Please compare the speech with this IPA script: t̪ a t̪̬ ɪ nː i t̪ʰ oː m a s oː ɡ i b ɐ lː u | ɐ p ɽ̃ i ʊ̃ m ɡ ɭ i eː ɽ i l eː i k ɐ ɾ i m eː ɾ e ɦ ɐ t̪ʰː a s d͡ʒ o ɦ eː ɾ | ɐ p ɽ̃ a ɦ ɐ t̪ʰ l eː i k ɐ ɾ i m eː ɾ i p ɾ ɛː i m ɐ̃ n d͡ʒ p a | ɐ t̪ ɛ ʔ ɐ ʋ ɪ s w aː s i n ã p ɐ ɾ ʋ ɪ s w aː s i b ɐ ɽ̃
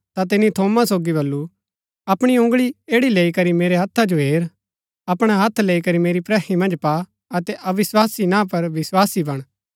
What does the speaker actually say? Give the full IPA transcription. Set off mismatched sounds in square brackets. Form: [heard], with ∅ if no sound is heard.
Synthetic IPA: t̪ a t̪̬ ɪ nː i t̪ʰ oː m a s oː ɡ i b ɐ lː u | ɐ p ɽ̃ i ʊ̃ [ŋ] ɡ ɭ i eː ɽ i l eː i k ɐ ɾ i m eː ɾ e ɦ ɐ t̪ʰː a [∅] d͡ʒ o ɦ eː ɾ | ɐ p ɽ̃ a ɦ ɐ t̪ʰ l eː i k ɐ ɾ i m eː ɾ i p ɾ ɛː i m ɐ̃ n d͡ʒ p a | ɐ t̪ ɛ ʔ ɐ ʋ ɪ s w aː s i n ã p ɐ ɾ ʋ ɪ s w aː s i b ɐ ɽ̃